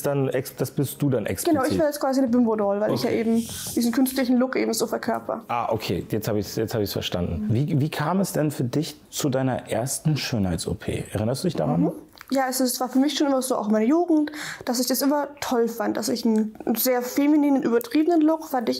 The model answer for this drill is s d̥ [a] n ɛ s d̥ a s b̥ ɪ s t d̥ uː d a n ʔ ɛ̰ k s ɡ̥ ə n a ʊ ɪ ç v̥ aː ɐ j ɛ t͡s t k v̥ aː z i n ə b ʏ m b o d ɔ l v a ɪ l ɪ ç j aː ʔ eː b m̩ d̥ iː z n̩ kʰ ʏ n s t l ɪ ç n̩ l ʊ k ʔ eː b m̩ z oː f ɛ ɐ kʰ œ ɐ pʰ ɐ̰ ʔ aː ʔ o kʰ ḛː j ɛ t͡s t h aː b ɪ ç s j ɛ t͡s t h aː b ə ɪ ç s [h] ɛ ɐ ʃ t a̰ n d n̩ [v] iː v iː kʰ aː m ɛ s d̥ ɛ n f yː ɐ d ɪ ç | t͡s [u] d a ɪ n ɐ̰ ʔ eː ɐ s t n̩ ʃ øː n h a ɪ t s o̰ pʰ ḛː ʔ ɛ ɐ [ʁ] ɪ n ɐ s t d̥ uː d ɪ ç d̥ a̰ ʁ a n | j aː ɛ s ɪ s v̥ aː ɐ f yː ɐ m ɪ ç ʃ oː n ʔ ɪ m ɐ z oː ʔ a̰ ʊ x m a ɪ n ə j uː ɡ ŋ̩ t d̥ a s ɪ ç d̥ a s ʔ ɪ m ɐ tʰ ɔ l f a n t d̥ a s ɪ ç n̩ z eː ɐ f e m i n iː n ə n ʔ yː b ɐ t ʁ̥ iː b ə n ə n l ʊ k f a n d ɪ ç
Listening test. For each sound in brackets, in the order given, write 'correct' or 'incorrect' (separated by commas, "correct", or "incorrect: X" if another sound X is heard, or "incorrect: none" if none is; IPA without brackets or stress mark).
correct, incorrect: f, correct, correct, correct